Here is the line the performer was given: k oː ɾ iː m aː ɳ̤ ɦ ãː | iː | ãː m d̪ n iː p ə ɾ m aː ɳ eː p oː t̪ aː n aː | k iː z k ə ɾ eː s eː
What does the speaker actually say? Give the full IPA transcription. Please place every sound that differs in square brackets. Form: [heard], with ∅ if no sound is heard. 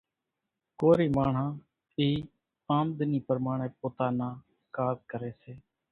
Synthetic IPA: k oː ɾ iː m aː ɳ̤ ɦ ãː | iː | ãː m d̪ n iː p ə ɾ m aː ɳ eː p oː t̪ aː n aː | k [aː] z k ə ɾ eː s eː